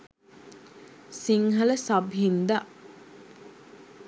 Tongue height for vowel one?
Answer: high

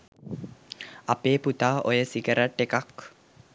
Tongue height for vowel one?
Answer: low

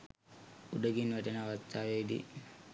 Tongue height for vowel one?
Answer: high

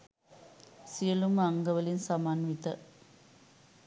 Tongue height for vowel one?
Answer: high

